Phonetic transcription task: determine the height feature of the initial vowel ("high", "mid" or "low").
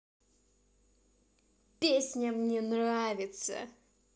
mid